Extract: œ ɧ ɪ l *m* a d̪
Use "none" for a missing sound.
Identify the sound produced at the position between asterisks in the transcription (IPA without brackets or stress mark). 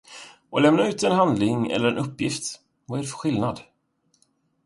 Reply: n